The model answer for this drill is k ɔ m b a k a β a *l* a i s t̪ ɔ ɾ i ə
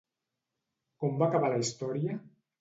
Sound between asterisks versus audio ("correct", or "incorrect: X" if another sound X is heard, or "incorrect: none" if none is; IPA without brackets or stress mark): correct